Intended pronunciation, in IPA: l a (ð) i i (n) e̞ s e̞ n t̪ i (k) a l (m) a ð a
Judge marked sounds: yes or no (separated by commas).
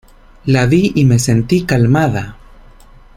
yes, no, yes, yes